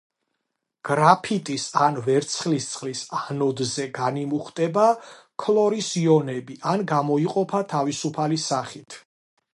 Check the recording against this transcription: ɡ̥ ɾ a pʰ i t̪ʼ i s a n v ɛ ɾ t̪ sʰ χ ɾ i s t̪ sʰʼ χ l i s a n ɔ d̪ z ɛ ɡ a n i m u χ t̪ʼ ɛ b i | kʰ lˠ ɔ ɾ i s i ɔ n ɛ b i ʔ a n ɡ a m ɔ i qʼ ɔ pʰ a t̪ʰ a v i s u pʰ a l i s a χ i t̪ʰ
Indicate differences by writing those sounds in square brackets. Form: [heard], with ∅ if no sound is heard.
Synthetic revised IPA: ɡ̥ ɾ a pʰ i t̪ʼ i s a n v ɛ ɾ t̪ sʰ χ [l] i s t̪ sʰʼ χ l i s a n ɔ d̪ z ɛ ɡ a n i m u χ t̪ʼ ɛ b [a] | kʰ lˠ ɔ ɾ i s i ɔ n ɛ b i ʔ a n ɡ a m ɔ i qʼ ɔ pʰ a t̪ʰ a v i s u pʰ a l i s a χ i t̪ʰ